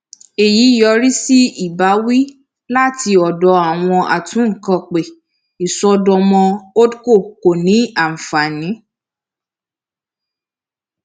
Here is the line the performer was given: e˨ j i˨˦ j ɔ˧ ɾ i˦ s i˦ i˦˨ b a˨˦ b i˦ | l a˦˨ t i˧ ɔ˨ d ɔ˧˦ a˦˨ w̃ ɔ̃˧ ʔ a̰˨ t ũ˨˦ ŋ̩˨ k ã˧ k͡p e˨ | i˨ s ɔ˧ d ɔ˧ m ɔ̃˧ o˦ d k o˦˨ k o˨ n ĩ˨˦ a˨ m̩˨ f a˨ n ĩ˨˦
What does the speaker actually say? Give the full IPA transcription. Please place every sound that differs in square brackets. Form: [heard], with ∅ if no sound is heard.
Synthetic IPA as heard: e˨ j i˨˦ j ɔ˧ ɾ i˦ s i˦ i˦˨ b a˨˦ [w] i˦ | l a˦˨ t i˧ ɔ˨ d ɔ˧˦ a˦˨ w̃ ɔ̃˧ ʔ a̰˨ t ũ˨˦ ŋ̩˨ k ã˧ k͡p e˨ | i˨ s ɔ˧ d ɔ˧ m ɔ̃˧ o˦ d k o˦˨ k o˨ n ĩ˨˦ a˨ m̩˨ f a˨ n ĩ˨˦